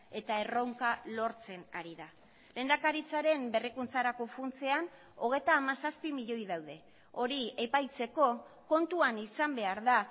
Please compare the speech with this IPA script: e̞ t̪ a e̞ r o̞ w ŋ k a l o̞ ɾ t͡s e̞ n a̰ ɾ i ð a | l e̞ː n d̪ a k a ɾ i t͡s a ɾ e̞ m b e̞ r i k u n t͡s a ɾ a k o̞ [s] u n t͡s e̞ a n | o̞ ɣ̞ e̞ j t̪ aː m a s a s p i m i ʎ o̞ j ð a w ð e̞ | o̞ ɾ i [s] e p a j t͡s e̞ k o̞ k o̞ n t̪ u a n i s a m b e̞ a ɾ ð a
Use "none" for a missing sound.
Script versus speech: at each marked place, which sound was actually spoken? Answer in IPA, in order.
f, none

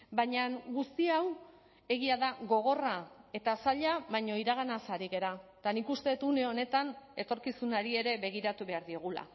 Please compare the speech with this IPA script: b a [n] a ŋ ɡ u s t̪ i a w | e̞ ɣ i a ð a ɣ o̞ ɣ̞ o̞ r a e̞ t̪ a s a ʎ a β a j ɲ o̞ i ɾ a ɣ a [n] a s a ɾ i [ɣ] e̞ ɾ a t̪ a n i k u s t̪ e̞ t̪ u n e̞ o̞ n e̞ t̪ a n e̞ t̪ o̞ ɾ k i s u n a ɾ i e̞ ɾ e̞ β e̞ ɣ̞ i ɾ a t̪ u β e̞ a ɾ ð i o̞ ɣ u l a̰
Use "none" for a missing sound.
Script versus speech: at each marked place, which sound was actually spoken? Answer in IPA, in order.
ɲ, n, ɣ

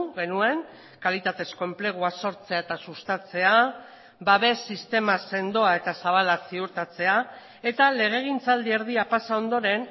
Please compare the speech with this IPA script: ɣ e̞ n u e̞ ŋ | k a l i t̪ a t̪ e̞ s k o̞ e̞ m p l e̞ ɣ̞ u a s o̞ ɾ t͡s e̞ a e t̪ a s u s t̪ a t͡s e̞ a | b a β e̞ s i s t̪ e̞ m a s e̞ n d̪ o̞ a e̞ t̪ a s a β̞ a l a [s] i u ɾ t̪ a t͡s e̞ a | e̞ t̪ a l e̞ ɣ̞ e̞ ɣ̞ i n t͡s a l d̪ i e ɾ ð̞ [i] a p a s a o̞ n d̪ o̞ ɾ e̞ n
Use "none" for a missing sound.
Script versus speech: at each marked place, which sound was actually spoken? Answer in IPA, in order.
s, i

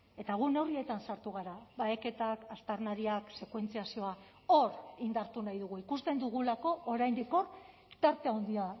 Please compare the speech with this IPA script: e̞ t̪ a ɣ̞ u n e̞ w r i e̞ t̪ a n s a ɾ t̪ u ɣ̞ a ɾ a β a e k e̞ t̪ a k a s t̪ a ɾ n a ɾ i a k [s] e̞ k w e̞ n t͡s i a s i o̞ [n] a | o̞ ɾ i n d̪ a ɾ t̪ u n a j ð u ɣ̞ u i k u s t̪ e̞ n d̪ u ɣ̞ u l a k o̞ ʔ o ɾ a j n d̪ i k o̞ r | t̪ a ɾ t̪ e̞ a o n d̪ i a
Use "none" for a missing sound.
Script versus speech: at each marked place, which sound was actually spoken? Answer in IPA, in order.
s, none

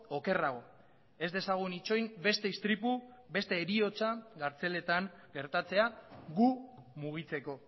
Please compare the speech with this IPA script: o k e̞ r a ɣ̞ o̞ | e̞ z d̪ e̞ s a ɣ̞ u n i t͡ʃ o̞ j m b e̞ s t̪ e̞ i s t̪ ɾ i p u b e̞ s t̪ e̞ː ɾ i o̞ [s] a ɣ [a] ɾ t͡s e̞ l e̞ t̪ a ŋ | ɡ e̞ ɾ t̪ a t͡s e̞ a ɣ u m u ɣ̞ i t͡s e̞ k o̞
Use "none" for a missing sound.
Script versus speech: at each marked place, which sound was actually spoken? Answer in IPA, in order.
t͡s, a

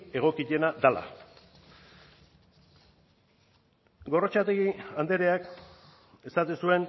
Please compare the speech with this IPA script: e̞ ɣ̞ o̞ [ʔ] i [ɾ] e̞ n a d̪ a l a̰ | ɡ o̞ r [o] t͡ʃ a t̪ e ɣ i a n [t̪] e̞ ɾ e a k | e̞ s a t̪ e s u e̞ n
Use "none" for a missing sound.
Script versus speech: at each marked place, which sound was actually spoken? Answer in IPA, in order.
k, ʎ, o, d̪

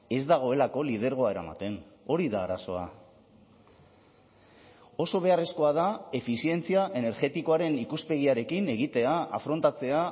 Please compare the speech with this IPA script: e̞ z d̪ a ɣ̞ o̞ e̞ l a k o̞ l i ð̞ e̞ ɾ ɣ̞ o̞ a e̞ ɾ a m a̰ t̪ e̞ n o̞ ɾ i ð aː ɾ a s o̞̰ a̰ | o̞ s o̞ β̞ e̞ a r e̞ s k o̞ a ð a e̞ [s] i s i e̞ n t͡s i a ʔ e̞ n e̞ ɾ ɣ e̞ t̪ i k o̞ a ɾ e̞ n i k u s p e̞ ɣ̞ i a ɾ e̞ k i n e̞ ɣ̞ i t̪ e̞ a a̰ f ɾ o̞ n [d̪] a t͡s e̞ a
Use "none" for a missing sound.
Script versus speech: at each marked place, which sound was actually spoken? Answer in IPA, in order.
f, t̪

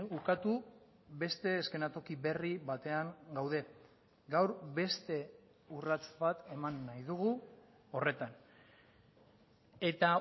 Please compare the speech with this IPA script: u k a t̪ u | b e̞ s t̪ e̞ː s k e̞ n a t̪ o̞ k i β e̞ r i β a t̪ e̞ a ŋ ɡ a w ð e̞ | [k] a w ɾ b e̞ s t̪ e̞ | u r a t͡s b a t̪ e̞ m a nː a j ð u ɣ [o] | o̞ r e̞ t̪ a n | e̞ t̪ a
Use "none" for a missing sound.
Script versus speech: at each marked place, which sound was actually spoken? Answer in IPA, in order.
ɡ, u

